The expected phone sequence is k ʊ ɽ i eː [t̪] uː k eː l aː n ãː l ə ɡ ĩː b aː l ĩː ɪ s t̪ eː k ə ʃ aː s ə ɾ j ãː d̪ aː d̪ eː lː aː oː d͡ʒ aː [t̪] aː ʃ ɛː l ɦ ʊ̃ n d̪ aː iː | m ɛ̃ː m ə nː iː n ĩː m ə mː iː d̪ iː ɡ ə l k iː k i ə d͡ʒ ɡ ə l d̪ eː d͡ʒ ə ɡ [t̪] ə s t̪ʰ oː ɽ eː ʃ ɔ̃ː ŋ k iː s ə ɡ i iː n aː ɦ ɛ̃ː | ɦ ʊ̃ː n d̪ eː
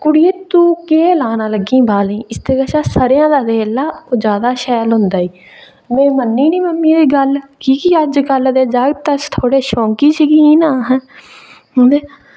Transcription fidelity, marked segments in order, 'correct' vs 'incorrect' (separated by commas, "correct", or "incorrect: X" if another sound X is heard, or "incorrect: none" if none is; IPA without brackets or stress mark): correct, incorrect: d̪, correct